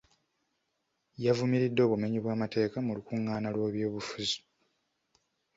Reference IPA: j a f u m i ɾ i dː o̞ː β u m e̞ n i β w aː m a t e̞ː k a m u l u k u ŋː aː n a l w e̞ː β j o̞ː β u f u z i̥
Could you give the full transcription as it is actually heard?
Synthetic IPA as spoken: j a v u m i ɾ i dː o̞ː β u m e̞ ɲ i β w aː m a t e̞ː k a m u l u k u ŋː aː n a l w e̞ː β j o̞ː β u f u z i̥

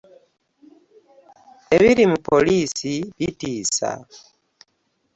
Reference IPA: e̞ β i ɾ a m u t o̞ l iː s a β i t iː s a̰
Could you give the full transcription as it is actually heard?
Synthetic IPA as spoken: e̞ β i ɾ i m u p o̞ l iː s i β i t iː s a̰

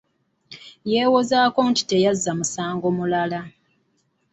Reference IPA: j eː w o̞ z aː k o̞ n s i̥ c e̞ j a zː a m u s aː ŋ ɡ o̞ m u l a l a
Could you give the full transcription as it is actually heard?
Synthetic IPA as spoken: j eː w o̞ z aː k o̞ n t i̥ t e̞ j a zː a m u s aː ŋ ɡ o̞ m u l a l a

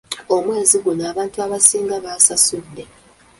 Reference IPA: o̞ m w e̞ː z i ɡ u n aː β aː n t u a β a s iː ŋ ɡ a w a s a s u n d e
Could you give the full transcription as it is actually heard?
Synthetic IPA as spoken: o̞ m w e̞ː z i ɡ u n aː β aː n t u a β a s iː ŋ ɡ a β a s a s u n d e

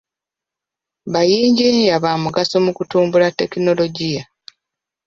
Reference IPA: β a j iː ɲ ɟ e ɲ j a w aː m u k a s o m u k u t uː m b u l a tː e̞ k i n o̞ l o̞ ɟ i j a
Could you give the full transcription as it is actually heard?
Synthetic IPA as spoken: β a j iː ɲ ɟ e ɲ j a β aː m u ɡ a s o m u k u t uː m b u l a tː e̞ k i n o̞ l o̞ ɟ i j a

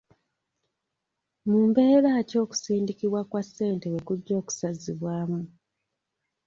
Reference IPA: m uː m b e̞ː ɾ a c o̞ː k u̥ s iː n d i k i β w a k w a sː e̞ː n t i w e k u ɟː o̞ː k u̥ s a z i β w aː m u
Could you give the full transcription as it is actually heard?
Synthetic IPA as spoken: m uː m b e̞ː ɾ a c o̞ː k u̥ s iː n d i k i β w a k w a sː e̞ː n t e w e k u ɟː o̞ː k u̥ s a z i β w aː m u

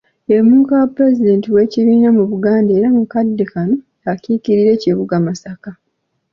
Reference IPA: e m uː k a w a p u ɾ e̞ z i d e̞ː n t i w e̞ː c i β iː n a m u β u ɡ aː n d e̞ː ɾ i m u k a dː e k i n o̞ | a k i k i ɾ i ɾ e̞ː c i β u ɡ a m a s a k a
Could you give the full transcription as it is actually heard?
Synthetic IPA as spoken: e m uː k a w a p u ɾ e̞ z i d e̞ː n t i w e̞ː c i β iː n a m u β u ɡ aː n d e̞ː ɾ a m u k a dː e k a n o̞ | a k i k i ɾ i ɾ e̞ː c i β u ɡ a m a s a k a

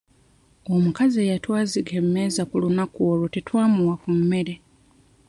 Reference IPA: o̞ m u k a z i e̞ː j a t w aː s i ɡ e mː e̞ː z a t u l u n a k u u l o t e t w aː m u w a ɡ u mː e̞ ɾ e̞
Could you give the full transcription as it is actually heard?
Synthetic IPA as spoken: o̞ m u k a z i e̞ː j a t w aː z i ɡ e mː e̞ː z a k u l u n a k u o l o t e t w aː m u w a k u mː e̞ ɾ e̞

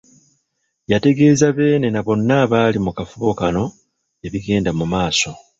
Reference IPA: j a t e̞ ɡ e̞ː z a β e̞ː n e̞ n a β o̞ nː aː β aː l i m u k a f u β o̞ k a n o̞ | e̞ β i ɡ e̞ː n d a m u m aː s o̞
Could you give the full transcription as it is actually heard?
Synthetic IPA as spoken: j a t e̞ ɡ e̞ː z a β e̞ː n e̞ n a β o̞ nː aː β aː l i m u k a f u β o̞ k a n o̞ | e̞ β i ɡ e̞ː n d a m u m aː s o̞

